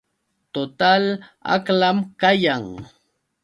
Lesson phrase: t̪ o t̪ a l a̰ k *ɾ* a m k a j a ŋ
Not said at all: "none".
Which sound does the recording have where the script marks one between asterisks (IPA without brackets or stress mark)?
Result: l